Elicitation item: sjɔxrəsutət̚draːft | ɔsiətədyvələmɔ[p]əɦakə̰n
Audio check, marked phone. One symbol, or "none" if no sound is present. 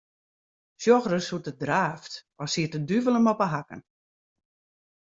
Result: p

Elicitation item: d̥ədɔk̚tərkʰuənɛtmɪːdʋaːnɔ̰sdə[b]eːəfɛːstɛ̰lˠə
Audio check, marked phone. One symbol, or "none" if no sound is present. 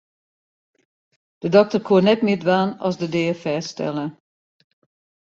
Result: d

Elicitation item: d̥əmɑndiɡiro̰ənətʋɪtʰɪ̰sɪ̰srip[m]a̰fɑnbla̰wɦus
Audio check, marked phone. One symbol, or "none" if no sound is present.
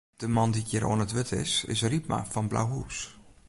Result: m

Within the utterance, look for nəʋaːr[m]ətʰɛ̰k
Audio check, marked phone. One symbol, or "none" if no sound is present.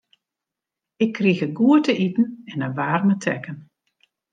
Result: m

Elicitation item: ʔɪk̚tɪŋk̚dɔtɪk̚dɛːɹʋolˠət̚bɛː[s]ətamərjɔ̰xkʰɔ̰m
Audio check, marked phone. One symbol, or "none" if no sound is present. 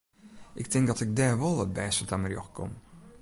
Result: s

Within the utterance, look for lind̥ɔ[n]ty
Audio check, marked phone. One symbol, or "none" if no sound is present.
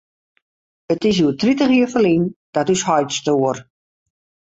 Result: none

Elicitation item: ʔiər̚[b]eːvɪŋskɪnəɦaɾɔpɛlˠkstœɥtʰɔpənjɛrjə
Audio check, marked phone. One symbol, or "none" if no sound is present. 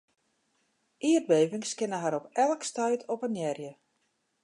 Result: b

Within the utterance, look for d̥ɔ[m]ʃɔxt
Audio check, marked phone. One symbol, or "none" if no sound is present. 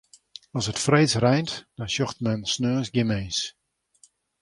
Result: n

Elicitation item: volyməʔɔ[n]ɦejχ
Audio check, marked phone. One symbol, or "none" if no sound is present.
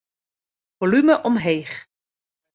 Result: m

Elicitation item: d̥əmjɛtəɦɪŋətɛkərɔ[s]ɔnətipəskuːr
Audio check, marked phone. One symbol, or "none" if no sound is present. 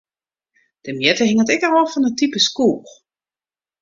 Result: f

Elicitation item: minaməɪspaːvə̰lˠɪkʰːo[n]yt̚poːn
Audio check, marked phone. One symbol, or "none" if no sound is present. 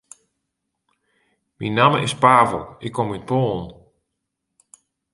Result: m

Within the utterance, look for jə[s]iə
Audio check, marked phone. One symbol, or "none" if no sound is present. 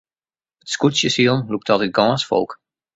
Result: s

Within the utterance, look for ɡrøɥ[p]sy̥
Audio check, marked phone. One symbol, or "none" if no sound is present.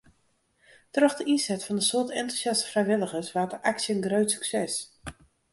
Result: t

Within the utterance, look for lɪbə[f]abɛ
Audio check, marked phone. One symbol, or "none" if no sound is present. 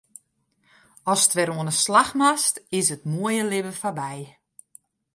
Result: f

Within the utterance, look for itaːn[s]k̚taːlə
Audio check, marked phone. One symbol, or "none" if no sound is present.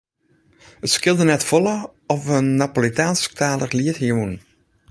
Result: s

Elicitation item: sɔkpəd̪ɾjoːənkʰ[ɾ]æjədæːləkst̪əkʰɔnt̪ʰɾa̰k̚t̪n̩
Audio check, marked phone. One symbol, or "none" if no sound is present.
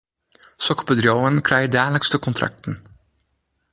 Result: ɾ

